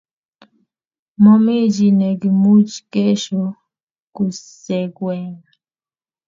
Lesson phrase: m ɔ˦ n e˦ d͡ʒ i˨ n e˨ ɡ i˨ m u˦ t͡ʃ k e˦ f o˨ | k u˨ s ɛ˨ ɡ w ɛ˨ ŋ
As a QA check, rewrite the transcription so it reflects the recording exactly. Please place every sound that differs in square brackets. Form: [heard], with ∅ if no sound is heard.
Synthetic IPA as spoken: m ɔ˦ [m] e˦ d͡ʒ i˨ n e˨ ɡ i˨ m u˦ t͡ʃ k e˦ [ʃ] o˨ | k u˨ s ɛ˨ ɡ w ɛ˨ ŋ